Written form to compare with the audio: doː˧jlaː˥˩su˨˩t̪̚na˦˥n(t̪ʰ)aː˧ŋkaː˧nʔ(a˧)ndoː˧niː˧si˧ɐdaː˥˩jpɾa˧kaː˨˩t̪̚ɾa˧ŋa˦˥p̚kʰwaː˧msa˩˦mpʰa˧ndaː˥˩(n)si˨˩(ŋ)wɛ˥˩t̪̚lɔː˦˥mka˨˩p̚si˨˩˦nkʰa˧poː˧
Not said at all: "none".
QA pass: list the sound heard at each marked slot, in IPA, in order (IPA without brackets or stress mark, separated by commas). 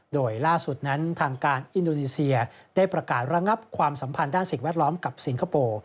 t̪ʰ, i˧, n, ŋ